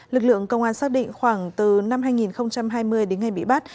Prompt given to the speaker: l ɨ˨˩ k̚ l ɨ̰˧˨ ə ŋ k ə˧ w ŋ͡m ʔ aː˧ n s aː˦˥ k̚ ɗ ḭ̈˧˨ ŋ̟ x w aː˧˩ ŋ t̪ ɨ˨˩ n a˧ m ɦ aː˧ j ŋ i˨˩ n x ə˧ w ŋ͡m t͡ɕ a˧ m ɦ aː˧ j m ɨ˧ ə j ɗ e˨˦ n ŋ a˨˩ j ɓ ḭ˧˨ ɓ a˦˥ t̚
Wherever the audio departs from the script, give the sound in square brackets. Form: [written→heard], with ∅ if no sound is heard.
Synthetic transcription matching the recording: l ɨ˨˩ k̚ l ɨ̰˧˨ ə ŋ k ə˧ w ŋ͡m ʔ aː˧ n s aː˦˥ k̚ ɗ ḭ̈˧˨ ŋ̟ x w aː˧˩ ŋ t̪ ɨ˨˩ n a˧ m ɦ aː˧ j ŋ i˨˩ n x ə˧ w ŋ͡m t͡ɕ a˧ m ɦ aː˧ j m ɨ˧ ə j ɗ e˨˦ n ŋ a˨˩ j ɓ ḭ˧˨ ɓ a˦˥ t̚

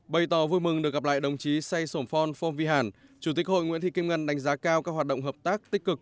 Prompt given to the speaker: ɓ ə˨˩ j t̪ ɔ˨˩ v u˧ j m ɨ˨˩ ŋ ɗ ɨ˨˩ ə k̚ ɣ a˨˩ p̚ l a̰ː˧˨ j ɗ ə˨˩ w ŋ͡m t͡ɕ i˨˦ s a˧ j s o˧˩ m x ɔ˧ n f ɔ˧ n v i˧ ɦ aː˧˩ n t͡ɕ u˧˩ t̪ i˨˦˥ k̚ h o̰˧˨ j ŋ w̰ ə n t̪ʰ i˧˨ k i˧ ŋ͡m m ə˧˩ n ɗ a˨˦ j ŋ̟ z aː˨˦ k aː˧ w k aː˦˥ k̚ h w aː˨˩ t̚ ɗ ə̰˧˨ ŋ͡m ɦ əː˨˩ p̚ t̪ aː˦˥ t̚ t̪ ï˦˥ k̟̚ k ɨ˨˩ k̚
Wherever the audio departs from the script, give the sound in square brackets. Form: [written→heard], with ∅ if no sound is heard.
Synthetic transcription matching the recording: ɓ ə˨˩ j t̪ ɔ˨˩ v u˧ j m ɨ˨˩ ŋ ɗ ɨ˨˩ ə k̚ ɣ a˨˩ p̚ l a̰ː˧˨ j ɗ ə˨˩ w ŋ͡m t͡ɕ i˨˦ s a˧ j s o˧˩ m [x→f] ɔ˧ n f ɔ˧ n v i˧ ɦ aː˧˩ n t͡ɕ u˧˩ t̪ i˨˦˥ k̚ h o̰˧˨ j ŋ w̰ ə n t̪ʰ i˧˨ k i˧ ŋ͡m [m→ŋ] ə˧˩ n ɗ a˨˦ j ŋ̟ z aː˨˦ k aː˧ w k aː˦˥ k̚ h w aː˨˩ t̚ ɗ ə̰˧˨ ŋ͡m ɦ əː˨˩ p̚ t̪ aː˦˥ [t̚→k̚] t̪ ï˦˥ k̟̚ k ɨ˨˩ k̚

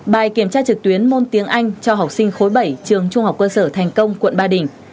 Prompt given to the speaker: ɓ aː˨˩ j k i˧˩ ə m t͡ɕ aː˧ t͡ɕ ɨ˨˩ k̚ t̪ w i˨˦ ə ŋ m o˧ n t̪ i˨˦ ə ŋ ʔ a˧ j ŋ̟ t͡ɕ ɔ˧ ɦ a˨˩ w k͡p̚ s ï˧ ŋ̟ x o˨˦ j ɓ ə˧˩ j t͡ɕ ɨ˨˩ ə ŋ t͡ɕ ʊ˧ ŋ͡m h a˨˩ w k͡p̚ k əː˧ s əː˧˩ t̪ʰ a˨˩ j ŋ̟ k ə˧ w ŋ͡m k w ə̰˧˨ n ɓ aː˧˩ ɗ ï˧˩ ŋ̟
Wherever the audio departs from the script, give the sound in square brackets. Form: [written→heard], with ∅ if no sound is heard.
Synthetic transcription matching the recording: ɓ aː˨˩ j k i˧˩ ə m t͡ɕ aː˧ t͡ɕ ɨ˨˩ k̚ t̪ w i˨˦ ə [ŋ→n] m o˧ n t̪ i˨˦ ə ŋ ʔ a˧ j ŋ̟ t͡ɕ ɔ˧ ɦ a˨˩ w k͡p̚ s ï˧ ŋ̟ x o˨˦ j ɓ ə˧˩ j t͡ɕ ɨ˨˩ ə ŋ t͡ɕ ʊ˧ ŋ͡m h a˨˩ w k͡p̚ k əː˧ s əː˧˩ t̪ʰ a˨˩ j ŋ̟ k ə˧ w ŋ͡m k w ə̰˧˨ n ɓ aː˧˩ ɗ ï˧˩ ŋ̟

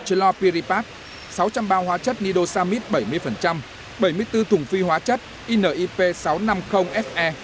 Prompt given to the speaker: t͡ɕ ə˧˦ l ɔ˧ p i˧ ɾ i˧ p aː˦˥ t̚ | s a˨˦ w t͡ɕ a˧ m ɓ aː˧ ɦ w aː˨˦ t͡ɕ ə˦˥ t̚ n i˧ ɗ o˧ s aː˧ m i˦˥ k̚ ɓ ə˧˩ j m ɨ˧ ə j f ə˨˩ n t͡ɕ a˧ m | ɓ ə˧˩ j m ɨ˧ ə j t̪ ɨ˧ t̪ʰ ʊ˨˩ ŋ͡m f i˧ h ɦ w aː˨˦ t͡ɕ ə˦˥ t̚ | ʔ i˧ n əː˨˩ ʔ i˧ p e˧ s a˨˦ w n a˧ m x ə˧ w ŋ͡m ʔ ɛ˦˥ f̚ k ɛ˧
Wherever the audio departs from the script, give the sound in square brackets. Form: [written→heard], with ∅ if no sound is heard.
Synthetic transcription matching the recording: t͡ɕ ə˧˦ l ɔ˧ p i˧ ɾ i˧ p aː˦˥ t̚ | s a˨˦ w t͡ɕ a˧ m ɓ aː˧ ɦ w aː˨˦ t͡ɕ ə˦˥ t̚ n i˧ ɗ o˧ s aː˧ m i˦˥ [k̚→t̚] ɓ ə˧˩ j m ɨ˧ ə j f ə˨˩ n t͡ɕ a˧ m | ɓ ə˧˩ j m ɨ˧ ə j t̪ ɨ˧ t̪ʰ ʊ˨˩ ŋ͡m f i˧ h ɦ w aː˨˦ t͡ɕ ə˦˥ t̚ | ʔ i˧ n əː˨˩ ʔ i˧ p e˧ s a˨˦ w n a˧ m x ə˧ w ŋ͡m ʔ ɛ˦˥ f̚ [k→ʔ] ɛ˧

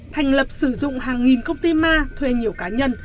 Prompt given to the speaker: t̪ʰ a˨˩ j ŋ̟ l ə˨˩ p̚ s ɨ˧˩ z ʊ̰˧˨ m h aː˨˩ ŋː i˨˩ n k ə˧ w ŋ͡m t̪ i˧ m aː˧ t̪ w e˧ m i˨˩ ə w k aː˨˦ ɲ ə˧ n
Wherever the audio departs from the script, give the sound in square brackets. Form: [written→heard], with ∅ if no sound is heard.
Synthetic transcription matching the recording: t̪ʰ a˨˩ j ŋ̟ l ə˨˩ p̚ s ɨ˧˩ z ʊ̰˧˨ [m→ŋ͡m] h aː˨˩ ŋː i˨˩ n k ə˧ w ŋ͡m t̪ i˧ m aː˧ [t̪→t̪ʰ] w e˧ [m→ɲ] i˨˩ ə w k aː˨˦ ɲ ə˧ n

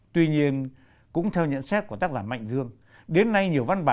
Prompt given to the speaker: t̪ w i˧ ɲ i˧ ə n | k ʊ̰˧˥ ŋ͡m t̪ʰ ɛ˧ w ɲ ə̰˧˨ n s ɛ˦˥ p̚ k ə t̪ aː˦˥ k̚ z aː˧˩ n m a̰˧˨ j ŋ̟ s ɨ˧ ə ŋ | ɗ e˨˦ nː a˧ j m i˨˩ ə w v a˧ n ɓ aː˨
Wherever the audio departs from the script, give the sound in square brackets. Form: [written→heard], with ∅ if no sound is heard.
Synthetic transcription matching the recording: t̪ w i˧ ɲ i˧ ə n | k ʊ̰˧˥ ŋ͡m t̪ʰ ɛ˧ w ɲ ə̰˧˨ n s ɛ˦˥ [p̚→t̚] k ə t̪ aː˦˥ k̚ z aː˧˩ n m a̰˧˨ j ŋ̟ [s→z] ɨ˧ ə ŋ | ɗ e˨˦ nː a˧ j [m→ɲ] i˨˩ ə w v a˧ n ɓ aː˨

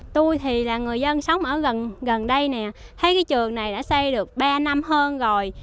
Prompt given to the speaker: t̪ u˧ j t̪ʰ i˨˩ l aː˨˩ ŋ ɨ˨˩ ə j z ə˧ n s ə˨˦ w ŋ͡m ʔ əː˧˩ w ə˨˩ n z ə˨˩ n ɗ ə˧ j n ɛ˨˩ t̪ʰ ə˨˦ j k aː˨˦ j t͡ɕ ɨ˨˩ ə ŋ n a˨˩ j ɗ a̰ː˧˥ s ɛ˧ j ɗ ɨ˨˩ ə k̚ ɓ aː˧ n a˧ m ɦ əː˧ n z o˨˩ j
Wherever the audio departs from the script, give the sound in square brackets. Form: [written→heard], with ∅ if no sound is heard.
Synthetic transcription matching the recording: t̪ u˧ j t̪ʰ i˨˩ l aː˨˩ ŋ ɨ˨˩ ə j z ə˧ n s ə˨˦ w ŋ͡m ʔ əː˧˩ [w→ɣ] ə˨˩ n [z→ɣ] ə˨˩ n ɗ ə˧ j n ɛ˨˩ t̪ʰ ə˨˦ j k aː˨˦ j t͡ɕ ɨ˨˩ ə ŋ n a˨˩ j ɗ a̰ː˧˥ s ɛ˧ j ɗ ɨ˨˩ ə k̚ ɓ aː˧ n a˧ m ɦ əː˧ n z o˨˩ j

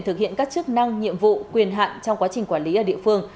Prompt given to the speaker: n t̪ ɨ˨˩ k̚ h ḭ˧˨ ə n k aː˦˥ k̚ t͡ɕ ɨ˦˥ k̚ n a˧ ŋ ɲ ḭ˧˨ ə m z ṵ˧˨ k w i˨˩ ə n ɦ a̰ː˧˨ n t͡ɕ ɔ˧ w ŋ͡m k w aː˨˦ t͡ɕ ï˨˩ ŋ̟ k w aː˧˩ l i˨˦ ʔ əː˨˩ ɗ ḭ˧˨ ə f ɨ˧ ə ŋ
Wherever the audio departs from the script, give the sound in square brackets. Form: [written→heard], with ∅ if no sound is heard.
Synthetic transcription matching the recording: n t̪ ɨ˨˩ k̚ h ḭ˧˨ ə n k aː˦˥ k̚ t͡ɕ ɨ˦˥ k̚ n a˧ ŋ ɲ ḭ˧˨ ə m [z→v] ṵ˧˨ k w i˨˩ ə n ɦ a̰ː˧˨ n t͡ɕ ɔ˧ w ŋ͡m k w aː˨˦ t͡ɕ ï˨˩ ŋ̟ k w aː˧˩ l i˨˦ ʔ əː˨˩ ɗ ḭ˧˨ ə f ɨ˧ ə ŋ

